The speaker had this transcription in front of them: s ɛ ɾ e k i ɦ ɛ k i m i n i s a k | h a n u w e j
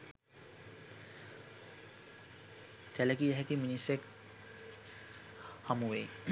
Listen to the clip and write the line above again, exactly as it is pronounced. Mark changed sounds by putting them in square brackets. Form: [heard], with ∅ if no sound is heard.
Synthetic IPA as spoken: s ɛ [l] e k i ɦ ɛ k i m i n i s [e] k | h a [m] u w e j